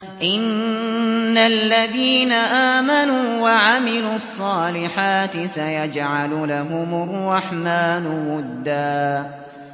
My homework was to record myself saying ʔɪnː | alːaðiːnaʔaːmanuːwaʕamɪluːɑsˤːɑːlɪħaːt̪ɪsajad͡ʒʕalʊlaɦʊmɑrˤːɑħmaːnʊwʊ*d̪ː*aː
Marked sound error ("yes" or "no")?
no